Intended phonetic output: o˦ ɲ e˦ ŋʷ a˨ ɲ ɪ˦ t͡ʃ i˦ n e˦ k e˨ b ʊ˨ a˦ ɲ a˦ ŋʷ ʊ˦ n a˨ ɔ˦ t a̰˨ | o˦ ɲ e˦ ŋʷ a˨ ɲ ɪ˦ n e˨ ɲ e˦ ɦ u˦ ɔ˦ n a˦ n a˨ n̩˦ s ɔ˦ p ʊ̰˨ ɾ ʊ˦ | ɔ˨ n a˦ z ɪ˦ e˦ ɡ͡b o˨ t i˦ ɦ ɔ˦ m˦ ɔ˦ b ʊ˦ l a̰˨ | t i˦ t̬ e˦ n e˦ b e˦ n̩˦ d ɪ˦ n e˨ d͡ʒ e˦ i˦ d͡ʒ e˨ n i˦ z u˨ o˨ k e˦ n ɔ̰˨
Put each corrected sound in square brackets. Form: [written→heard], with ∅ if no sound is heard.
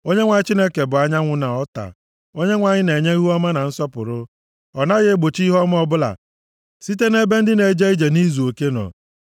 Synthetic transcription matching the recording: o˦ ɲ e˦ ŋʷ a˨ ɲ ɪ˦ t͡ʃ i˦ n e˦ k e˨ b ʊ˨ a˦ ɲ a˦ ŋʷ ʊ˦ n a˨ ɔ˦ t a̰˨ | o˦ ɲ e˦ ŋʷ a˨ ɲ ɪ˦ n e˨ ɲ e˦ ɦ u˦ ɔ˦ [n→m] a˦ n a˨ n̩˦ s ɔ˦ p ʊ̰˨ ɾ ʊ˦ | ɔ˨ n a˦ [z→ɣ] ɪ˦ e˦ ɡ͡b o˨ [t→t͡ʃ] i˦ ɦ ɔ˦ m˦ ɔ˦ b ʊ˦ l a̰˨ | [t→s] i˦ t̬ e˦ n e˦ b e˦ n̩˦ d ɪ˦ n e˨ d͡ʒ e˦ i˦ d͡ʒ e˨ n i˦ z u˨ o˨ k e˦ n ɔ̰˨